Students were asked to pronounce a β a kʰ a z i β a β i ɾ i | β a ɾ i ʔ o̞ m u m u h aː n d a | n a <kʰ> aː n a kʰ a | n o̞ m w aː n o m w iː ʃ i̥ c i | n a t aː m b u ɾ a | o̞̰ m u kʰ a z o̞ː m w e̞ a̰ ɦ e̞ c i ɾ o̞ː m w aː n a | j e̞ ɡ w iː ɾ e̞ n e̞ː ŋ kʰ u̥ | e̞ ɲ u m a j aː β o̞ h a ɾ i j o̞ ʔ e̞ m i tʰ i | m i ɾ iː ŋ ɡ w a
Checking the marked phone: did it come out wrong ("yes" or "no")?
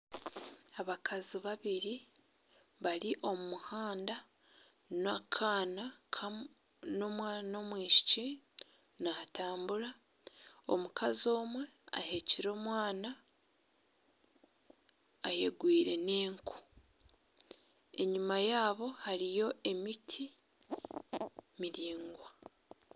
no